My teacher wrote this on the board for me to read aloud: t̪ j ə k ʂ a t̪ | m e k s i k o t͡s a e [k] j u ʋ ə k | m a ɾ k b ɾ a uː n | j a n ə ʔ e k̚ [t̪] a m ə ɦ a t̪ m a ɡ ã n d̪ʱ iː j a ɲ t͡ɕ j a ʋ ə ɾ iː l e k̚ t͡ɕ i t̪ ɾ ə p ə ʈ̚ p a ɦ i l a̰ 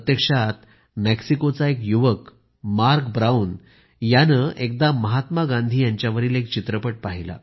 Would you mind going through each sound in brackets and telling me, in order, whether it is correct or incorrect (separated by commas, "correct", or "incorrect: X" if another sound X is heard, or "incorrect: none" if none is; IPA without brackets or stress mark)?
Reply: correct, incorrect: d̪